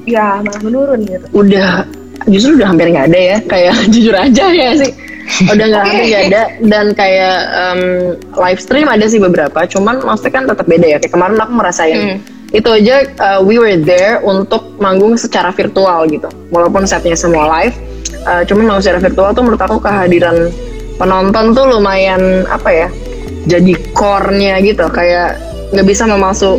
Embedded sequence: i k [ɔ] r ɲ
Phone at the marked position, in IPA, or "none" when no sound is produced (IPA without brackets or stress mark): ɔ